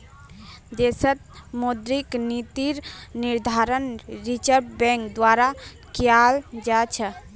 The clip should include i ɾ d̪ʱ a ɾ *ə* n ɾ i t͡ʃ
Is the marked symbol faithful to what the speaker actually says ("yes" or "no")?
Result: yes